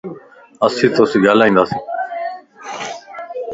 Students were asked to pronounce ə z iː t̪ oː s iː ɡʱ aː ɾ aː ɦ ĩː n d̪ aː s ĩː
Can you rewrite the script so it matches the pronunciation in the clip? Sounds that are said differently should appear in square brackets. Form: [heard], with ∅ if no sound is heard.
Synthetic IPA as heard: ə [s] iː t̪ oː s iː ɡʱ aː [l] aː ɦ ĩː n d̪ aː s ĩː